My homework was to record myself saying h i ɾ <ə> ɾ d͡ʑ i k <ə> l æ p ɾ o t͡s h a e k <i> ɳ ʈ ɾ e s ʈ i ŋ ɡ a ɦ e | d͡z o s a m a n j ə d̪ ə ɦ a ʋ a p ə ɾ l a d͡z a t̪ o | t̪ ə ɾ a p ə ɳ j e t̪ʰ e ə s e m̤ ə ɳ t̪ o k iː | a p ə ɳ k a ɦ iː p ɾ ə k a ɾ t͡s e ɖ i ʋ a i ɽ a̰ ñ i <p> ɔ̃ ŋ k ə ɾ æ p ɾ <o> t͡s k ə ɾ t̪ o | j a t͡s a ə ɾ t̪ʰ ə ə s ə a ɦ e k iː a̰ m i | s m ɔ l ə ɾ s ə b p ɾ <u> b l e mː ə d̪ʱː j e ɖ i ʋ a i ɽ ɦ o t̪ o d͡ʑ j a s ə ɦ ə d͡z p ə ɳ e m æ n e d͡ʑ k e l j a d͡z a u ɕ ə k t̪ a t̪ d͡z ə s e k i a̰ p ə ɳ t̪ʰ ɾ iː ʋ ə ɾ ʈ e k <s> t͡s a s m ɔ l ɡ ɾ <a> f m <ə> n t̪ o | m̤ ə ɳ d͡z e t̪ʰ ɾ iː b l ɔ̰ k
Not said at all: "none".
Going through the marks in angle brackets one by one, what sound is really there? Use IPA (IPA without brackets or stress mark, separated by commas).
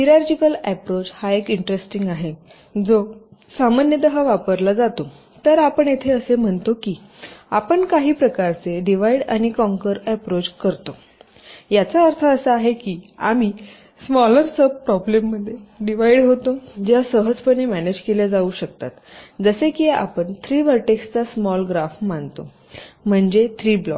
a, ə, i, k, o, ɔ, s, a, a